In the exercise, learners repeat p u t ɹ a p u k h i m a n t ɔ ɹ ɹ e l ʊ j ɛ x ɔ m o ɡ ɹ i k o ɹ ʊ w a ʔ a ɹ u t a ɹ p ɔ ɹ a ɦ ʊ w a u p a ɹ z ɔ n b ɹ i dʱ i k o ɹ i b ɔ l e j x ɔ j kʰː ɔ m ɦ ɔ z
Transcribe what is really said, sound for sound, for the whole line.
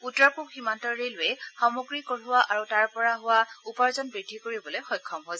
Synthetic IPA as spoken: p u t ɹ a p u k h i m a n t ɔ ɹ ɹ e l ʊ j ɛ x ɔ m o ɡ ɹ i k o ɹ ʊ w a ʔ a ɹ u t a ɹ p ɔ ɹ a ɦ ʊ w a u p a ɹ z ɔ n b ɹ i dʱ i k o ɹ i b ɔ l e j x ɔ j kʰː ɔ m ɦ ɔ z